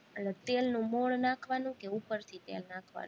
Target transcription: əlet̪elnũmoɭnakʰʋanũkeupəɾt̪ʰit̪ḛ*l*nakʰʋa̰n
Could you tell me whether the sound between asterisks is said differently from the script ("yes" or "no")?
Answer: no